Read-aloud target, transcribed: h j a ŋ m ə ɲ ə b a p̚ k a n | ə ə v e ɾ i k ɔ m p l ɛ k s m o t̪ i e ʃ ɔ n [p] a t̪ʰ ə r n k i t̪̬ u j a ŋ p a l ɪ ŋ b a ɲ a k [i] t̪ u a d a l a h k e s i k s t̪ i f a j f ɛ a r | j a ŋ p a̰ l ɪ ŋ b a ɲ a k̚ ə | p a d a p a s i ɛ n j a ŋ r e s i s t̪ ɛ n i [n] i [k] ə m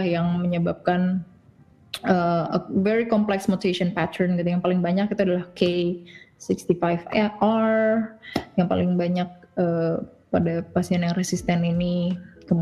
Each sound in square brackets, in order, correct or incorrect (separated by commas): correct, correct, correct, correct